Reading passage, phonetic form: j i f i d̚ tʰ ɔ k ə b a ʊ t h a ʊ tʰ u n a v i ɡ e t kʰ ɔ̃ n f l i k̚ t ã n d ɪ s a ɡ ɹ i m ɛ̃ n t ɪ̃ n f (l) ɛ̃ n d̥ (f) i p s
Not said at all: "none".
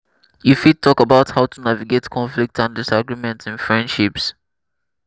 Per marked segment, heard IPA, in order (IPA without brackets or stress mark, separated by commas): ɹ, ʃ